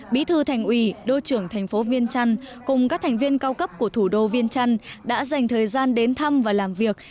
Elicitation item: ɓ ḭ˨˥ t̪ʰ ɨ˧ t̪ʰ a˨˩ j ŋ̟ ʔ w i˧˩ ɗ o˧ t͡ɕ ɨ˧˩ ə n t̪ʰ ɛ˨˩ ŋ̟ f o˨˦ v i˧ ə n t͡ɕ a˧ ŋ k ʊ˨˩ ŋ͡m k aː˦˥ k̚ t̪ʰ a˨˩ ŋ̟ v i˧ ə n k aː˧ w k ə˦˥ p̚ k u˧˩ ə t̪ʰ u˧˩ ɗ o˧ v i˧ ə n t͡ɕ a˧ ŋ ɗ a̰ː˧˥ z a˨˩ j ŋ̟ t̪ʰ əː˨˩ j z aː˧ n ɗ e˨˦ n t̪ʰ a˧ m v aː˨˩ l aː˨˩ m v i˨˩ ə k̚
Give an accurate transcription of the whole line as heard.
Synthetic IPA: ɓ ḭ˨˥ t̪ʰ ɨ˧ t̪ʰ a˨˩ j ŋ̟ ʔ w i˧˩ ɗ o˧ t͡ɕ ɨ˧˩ ə ŋ t̪ʰ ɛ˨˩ ŋ̟ f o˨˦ v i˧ ə n t͡ɕ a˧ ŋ k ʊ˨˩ ŋ͡m k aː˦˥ k̚ t̪ʰ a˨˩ ŋ̟ v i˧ ə n k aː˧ w k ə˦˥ p̚ k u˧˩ ə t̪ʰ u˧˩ ɗ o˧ v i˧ ə n t͡ɕ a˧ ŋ ɗ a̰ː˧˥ z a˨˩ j ŋ̟ t̪ʰ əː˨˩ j z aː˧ n ɗ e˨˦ n t̪ʰ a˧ m v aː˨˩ l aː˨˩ m v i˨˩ ə k̚

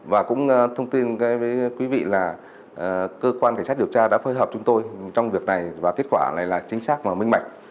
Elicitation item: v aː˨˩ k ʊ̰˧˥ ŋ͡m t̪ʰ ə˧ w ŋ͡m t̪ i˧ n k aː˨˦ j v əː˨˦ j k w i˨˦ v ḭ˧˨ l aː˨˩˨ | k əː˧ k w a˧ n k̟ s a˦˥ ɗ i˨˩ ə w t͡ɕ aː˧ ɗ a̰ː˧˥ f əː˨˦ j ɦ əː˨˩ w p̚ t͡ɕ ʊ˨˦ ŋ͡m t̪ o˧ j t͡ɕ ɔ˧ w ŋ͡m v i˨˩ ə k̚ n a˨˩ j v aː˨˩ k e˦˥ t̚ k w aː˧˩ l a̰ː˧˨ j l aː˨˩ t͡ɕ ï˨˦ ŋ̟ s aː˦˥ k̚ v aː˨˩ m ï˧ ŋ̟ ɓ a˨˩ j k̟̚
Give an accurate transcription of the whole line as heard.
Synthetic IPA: v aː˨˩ k ʊ̰˧˥ ŋ͡m t̪ʰ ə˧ w ŋ͡m t̪ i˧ n k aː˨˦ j v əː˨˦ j k w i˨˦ v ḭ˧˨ l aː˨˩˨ | k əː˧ k w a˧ n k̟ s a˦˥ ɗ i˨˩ ə w t͡ɕ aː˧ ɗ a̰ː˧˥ f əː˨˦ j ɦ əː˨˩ p̚ t͡ɕ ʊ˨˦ ŋ͡m t̪ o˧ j t͡ɕ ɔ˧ w ŋ͡m v i˨˩ ə k̚ n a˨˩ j v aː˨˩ k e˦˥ t̚ k w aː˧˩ l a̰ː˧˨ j l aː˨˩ t͡ɕ ï˨˦ ŋ̟ s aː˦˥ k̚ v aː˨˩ m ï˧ ŋ̟ ɓ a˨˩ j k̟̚

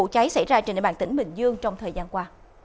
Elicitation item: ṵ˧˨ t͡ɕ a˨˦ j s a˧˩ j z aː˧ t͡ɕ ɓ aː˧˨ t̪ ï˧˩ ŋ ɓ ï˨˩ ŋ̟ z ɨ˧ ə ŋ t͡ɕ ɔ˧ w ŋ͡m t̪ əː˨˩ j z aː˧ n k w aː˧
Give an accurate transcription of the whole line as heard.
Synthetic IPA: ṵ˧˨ t͡ɕ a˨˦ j s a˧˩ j z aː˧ t͡ɕ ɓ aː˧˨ t̪ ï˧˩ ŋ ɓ ï˨˩ ŋ̟ z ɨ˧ ə ŋ t͡ɕ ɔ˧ w ŋ͡m t̪ʰ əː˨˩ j z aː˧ n k w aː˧

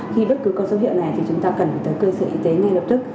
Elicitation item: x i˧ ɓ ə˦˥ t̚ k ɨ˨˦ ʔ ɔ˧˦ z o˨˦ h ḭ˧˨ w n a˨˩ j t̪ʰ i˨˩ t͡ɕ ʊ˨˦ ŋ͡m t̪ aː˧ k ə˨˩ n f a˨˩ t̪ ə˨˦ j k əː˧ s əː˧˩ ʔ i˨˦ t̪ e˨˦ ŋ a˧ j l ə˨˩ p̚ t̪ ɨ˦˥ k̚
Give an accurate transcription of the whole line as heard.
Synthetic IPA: x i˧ ɓ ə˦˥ t̚ k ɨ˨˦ k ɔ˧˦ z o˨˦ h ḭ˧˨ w n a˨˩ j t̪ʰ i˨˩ t͡ɕ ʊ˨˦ ŋ͡m t̪ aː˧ k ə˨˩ n f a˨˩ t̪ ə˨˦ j k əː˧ s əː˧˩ ʔ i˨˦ t̪ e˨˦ ŋ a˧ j l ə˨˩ p̚ t̪ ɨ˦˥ k̚

